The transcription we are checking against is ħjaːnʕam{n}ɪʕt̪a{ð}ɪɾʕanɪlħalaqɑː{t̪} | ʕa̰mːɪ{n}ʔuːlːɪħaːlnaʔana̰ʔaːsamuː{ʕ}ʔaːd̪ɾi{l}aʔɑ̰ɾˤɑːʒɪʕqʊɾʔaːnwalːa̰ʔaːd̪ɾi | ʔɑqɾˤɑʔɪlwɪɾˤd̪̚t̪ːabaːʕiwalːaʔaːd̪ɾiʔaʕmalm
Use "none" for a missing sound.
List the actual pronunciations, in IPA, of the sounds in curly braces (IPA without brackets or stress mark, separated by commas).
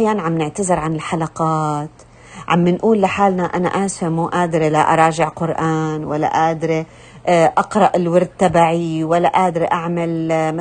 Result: n, z, t̪, n, none, l